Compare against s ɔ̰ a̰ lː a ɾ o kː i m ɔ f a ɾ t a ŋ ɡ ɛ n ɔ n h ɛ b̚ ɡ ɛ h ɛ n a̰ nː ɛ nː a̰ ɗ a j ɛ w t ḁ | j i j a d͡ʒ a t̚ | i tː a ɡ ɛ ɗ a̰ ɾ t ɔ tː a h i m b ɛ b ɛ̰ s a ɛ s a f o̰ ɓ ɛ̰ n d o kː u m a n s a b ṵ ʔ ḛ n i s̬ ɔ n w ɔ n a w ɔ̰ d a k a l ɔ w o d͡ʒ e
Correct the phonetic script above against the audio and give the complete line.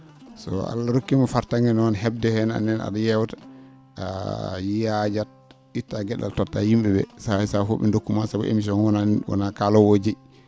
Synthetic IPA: s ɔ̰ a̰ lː a ɾ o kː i m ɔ f a ɾ t a ŋ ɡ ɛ n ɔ n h ɛ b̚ d ɛ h ɛ n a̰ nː ɛ n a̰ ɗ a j ɛ w t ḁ | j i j a d͡ʒ a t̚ | i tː a ɡ ɛ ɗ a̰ l t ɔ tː a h i m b ɛ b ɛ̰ s a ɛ s a f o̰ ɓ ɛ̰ n d o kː u m a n s a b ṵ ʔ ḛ m i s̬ ɔ n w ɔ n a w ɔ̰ n a k a l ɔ w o d͡ʒ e